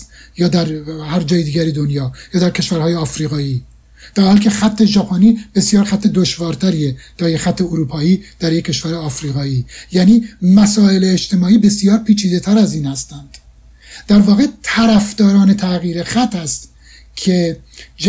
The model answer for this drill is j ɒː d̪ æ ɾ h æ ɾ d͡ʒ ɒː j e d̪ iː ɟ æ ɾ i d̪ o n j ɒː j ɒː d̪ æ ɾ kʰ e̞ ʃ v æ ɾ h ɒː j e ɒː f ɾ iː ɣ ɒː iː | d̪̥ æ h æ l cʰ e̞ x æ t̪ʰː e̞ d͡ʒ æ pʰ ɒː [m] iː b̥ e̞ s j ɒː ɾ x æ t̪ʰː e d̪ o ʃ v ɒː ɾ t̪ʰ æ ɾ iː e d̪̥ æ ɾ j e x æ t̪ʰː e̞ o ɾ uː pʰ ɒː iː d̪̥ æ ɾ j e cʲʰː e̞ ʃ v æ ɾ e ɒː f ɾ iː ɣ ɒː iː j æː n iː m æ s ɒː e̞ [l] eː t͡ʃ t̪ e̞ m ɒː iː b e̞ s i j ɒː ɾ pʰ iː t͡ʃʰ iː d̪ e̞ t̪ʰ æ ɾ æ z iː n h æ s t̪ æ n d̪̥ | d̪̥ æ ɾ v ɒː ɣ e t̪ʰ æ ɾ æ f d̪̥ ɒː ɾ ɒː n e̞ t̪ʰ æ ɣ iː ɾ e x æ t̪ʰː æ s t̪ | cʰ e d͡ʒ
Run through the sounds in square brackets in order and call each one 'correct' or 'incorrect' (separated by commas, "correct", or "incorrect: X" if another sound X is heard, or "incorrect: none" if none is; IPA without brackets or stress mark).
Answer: incorrect: n, correct